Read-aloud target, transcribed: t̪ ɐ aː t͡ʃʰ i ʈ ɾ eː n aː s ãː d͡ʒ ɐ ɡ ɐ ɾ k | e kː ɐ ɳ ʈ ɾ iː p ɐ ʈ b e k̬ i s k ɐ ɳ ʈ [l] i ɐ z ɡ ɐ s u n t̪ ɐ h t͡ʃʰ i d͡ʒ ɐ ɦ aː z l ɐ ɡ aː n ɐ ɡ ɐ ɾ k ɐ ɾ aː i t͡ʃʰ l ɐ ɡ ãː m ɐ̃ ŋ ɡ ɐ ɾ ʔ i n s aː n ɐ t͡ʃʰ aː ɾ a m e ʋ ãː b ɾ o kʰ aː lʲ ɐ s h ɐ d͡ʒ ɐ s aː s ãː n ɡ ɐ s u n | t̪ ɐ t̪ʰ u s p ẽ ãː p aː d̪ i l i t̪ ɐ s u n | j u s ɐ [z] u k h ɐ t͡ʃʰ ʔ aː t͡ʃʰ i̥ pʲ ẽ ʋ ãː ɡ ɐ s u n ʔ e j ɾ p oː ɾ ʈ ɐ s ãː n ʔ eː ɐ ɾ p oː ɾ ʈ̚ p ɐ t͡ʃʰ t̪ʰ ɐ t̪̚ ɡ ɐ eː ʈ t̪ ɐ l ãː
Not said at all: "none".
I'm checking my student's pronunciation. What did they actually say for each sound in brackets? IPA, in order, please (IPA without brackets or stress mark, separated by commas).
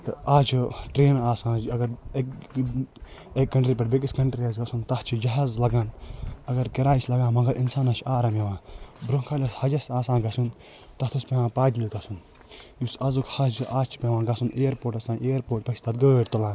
ɾ, z